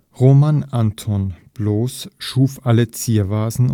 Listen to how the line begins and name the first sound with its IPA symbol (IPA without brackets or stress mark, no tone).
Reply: ʁ